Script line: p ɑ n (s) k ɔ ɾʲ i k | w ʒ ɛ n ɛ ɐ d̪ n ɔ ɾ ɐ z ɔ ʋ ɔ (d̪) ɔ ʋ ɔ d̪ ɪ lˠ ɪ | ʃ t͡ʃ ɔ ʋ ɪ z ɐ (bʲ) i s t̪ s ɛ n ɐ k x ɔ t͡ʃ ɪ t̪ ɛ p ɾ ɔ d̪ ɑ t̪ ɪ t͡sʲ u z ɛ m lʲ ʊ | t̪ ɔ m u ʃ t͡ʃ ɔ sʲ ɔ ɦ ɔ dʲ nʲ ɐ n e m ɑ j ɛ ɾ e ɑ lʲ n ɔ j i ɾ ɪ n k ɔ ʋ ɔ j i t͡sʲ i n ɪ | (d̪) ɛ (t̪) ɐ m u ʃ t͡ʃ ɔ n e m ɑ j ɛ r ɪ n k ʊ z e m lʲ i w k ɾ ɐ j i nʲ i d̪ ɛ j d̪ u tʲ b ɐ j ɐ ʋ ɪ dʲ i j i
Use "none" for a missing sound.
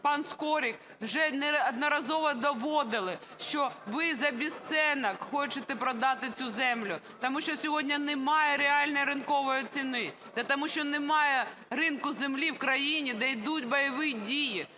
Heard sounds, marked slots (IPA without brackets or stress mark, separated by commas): s, d̪, bʲ, d̪, t̪